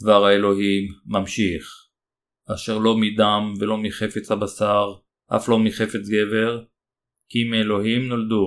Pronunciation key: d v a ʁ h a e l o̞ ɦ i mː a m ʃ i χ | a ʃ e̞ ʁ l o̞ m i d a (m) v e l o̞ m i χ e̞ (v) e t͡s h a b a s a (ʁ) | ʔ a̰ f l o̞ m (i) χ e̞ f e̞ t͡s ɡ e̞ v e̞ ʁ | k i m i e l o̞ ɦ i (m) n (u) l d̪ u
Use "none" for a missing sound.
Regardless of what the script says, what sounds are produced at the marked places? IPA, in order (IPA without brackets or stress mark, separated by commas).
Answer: m, f, ʁ, i, m, o